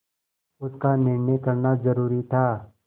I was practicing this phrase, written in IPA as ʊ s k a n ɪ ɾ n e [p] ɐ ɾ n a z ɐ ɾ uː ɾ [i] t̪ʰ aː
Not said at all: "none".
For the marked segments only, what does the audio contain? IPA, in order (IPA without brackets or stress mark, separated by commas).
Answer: k, i